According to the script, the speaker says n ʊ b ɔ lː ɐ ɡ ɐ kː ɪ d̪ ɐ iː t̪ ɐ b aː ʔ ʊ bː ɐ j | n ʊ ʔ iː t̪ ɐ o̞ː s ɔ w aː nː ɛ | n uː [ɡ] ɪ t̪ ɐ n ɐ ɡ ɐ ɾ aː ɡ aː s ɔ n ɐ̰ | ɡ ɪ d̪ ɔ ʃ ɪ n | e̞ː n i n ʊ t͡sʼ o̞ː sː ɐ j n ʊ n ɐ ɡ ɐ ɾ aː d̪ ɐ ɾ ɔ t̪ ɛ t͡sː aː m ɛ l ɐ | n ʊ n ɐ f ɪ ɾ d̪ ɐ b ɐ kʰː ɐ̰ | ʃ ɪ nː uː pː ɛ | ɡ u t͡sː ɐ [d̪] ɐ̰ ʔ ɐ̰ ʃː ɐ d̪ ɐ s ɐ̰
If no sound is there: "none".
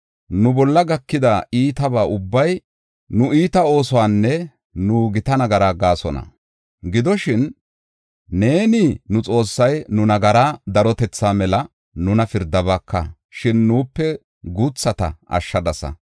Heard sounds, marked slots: ɡ, t̪

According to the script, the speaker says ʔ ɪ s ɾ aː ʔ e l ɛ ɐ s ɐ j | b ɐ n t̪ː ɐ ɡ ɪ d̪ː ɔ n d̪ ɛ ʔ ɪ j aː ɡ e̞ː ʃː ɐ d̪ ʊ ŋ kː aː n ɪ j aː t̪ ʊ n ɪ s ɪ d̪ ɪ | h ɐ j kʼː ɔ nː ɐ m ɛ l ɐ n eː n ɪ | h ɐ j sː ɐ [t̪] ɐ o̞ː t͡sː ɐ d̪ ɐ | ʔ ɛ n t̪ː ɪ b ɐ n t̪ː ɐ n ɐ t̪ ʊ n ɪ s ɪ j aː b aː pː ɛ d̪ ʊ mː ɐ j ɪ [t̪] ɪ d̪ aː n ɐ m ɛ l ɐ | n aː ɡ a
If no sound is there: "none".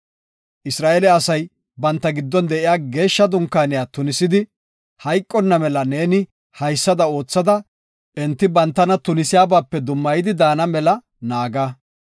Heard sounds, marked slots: d̪, d̪

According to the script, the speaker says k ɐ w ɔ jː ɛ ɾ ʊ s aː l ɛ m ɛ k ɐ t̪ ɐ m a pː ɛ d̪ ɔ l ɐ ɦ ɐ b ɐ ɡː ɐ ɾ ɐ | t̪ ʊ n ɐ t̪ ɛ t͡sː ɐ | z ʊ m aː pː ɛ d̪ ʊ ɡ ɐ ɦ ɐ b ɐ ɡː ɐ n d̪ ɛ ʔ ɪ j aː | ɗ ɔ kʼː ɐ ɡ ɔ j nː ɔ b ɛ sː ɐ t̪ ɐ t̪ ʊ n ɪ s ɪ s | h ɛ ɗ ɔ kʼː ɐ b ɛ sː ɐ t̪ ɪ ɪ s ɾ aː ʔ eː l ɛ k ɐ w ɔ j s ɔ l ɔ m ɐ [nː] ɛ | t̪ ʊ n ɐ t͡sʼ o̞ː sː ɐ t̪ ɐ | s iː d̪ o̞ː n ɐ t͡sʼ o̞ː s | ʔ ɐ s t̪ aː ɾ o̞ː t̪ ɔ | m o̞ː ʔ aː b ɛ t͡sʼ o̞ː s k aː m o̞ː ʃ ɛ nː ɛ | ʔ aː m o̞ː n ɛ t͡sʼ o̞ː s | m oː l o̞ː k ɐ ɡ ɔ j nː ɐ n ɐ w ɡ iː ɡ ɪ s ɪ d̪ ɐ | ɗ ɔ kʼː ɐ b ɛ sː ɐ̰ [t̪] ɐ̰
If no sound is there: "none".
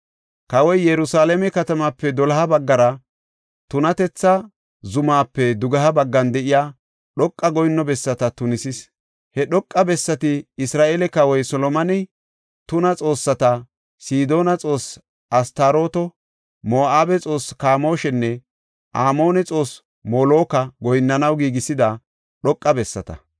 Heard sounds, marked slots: n, t̪

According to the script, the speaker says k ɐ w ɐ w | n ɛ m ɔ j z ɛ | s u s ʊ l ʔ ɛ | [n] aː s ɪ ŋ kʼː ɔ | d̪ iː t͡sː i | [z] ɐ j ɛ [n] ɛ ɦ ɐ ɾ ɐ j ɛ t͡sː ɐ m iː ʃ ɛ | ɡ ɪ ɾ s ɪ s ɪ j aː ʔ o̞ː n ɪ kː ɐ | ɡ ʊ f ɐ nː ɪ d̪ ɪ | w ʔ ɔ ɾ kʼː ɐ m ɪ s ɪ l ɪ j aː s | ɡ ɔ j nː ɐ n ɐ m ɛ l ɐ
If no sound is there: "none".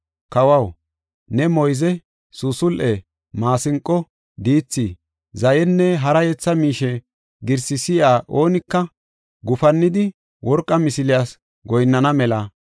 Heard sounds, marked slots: m, z, nː

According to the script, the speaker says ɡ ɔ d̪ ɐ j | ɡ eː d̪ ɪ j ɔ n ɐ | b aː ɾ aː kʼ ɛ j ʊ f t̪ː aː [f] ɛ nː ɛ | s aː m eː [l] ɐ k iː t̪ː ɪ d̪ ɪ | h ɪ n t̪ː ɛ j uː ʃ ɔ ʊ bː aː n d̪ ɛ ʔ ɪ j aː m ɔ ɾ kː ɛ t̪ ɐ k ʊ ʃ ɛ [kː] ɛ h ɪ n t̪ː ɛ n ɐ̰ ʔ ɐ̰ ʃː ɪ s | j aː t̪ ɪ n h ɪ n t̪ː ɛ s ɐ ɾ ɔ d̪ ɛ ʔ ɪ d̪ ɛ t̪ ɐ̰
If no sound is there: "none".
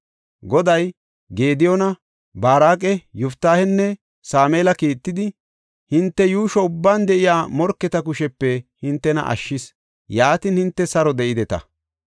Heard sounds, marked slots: h, l, pː

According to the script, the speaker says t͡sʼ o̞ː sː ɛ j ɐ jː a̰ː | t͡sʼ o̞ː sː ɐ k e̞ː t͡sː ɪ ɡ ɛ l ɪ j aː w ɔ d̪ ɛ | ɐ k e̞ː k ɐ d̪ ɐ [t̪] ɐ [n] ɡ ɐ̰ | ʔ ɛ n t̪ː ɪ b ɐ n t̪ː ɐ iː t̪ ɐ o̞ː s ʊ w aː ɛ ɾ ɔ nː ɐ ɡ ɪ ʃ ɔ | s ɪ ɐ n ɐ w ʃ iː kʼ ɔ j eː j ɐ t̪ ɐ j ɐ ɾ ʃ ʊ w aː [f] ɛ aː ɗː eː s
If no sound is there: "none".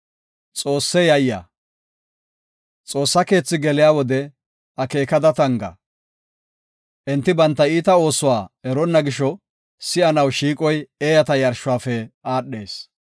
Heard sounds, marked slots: t̪, ŋ, f

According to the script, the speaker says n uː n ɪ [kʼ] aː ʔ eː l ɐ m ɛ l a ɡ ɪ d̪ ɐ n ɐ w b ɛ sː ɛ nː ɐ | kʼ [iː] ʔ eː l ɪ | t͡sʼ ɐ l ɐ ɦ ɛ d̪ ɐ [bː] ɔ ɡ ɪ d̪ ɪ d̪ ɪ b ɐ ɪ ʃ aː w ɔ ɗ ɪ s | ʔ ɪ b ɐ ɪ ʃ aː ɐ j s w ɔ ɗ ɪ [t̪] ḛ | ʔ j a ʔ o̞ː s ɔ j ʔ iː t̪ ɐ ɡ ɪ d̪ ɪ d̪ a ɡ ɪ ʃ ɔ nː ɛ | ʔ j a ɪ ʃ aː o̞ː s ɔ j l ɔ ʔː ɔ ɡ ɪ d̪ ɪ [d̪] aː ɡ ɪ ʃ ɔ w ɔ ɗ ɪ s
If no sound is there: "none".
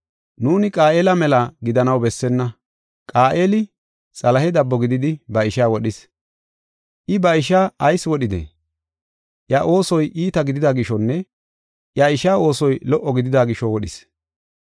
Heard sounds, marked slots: kʼ, aː, bː, d̪, d̪

